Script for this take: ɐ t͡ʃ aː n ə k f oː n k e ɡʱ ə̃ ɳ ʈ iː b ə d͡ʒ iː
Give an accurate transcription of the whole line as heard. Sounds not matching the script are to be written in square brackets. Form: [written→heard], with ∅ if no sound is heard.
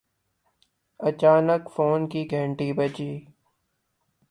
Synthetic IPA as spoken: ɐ t͡ʃ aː n ə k f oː n k [e→i] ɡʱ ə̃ ɳ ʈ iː b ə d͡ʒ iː